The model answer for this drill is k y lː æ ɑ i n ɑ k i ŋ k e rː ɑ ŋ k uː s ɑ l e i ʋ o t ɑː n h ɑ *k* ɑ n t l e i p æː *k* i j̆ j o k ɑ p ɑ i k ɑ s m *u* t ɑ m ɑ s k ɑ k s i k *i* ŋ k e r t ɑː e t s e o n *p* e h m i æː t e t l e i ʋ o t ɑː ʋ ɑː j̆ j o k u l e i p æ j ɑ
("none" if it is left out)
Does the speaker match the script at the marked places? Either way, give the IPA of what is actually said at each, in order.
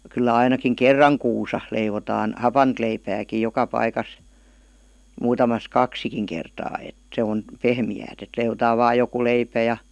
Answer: p, k, uː, i, p

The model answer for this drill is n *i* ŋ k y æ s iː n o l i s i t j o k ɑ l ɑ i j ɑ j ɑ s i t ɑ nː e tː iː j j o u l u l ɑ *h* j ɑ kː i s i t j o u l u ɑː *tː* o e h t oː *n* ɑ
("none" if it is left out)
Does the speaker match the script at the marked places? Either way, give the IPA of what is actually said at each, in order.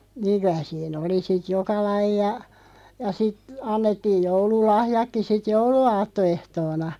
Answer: iː, h, tː, n

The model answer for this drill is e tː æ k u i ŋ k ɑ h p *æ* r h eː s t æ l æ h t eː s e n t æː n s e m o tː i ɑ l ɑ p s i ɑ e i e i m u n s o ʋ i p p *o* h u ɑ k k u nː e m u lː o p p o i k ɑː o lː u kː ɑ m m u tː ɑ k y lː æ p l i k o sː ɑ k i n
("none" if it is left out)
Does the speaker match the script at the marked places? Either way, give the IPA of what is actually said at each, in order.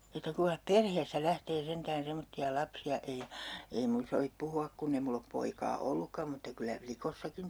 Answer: e, u

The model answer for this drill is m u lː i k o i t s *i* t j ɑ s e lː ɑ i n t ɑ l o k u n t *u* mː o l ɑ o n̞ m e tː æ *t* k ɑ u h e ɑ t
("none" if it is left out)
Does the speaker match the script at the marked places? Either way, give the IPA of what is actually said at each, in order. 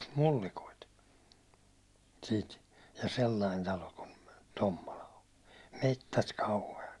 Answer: iː, o, t

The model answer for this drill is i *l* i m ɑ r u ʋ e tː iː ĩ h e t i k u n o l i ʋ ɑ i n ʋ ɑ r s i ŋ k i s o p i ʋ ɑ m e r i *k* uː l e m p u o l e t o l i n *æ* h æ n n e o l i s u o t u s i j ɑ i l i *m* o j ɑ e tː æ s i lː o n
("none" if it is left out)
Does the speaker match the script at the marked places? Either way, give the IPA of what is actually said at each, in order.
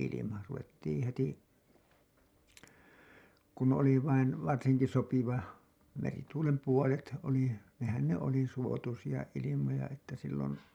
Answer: l, t, e, m

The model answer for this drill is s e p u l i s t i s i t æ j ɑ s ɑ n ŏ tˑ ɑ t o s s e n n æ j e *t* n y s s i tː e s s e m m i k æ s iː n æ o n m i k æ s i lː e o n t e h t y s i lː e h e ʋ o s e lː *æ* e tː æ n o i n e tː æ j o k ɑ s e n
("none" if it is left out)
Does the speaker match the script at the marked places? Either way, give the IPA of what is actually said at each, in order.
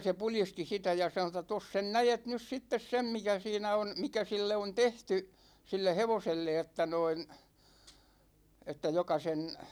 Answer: t, e

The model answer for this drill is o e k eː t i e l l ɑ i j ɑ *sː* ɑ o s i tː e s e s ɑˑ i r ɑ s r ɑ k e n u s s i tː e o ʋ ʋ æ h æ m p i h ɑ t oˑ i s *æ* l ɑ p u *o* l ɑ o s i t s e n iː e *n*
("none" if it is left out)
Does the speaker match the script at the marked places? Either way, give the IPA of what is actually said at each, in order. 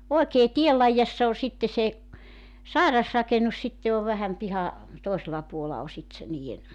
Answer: sː, e, o, n

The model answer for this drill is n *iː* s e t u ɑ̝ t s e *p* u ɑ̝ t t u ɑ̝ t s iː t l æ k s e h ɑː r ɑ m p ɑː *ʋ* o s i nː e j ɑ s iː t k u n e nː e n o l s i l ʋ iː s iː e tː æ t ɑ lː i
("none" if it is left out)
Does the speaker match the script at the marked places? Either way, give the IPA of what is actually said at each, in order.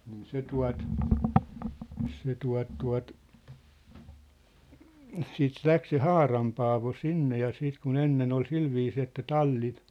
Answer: iː, t, ʋ

